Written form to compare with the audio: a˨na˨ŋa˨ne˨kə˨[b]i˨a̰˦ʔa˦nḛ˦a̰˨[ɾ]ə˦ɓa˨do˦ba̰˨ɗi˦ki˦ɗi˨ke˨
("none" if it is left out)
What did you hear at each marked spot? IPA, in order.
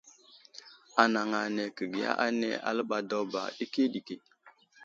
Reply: ɡ, l

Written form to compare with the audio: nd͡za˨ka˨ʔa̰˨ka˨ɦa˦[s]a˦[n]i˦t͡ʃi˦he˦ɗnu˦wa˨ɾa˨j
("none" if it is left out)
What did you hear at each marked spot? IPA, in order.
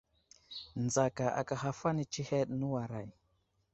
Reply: f, n

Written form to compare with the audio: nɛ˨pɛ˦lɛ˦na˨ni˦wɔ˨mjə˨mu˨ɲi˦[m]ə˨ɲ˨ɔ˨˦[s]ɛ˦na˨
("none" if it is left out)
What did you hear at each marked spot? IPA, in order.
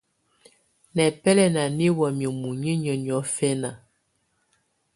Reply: ɲ, f

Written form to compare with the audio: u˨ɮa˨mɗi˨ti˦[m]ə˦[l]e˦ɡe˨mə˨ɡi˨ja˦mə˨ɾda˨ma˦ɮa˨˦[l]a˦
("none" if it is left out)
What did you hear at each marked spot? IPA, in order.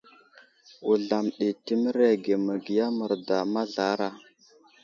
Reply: m, ɾ, ɾ

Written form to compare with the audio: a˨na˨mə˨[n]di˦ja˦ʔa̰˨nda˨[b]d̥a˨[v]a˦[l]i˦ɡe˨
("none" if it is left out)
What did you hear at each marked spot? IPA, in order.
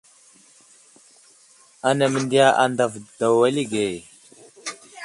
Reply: n, v, w, l

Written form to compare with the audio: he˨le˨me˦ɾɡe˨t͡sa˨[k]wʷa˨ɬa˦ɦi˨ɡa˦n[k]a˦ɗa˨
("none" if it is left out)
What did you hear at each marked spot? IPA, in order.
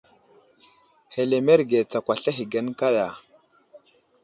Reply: k, k

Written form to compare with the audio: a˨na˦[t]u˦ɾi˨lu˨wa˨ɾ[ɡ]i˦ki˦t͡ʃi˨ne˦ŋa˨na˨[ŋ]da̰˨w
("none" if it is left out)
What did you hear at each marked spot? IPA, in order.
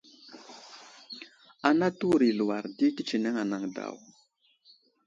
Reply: t, d, ŋ

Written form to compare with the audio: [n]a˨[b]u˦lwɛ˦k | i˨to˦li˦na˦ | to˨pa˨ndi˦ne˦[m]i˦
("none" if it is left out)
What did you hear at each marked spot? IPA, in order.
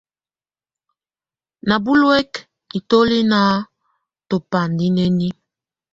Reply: n, b, n

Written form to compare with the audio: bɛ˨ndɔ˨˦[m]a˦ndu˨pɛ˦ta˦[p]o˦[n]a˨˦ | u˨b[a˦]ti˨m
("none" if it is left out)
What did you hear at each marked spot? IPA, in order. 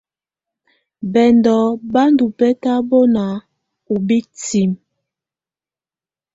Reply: b, b, n, i˦

